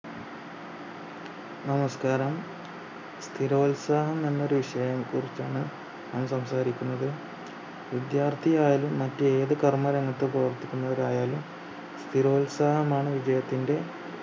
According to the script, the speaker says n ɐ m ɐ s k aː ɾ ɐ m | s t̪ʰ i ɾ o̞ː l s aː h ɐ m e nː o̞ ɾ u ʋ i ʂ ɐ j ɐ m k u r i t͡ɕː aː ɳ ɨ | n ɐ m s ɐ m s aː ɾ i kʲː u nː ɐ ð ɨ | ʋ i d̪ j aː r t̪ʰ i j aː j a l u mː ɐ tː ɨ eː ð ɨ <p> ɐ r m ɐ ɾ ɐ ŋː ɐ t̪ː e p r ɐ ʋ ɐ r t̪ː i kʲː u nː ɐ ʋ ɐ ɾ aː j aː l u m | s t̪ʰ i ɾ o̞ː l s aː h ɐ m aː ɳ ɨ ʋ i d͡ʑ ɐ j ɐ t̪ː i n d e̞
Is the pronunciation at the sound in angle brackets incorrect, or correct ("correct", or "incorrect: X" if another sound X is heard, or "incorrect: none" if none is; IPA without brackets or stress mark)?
incorrect: k